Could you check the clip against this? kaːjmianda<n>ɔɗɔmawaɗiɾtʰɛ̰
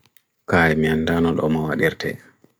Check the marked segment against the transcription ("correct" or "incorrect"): correct